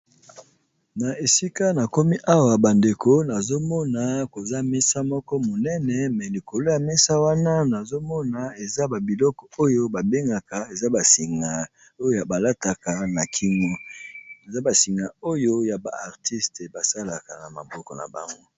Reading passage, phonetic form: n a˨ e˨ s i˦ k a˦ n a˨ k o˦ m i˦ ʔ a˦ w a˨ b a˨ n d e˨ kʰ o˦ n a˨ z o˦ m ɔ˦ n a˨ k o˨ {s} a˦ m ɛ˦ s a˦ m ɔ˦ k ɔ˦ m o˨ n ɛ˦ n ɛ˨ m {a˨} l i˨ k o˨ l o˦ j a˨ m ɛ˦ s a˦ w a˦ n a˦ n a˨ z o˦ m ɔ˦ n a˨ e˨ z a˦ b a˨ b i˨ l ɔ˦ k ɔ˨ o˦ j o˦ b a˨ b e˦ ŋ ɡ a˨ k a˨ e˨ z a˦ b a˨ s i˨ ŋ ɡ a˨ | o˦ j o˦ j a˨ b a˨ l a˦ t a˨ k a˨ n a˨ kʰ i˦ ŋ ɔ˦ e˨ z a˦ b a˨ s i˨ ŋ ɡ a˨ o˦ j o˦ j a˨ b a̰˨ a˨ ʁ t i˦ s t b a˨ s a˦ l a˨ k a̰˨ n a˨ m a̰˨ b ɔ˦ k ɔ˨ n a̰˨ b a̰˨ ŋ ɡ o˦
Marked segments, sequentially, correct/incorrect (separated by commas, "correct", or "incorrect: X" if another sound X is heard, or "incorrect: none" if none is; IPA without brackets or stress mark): incorrect: z, incorrect: ɛ˨